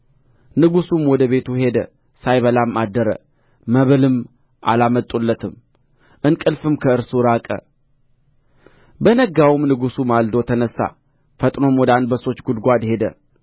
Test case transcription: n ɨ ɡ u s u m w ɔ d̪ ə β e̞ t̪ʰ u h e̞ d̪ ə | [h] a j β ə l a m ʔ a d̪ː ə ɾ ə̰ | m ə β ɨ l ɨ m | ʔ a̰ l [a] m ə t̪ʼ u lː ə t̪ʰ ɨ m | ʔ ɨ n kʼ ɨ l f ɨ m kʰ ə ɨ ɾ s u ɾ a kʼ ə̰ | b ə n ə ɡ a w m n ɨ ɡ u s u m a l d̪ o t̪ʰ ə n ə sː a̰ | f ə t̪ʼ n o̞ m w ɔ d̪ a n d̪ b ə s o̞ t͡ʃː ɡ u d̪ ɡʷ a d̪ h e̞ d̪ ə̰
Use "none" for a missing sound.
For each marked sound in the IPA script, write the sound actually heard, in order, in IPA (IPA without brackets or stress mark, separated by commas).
s, a